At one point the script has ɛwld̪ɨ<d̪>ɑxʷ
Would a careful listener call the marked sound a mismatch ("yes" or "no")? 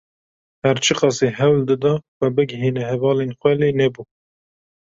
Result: no